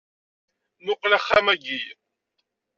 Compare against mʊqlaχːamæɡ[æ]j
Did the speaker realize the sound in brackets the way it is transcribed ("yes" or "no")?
no